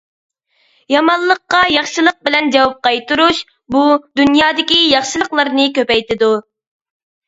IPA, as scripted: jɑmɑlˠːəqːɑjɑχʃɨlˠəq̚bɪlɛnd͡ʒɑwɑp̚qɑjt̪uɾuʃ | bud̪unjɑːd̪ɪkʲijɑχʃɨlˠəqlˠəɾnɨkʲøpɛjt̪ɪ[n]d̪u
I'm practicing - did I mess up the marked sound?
yes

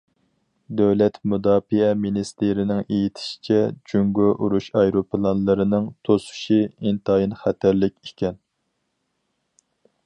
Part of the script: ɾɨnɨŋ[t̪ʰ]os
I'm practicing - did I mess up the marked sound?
no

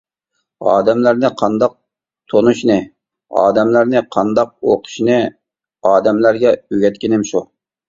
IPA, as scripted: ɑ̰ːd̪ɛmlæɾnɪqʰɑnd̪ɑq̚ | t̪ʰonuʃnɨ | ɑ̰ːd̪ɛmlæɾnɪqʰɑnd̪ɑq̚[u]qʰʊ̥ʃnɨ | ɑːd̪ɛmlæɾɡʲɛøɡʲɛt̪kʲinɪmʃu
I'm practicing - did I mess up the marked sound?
yes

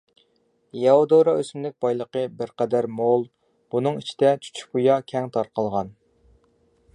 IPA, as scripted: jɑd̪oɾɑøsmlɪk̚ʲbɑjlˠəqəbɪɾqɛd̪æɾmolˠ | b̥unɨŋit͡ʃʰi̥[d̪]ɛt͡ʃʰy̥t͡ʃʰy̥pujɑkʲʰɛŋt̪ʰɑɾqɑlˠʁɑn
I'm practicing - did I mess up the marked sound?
no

